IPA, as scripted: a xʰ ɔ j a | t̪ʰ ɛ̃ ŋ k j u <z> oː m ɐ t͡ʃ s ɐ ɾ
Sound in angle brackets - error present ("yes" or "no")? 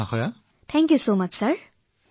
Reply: yes